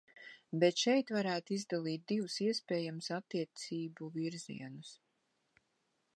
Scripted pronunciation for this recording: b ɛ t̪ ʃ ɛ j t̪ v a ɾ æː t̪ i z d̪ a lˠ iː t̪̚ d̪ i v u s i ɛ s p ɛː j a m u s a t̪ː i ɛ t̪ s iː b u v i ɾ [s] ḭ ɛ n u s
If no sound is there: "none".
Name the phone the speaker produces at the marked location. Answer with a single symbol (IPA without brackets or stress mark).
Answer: z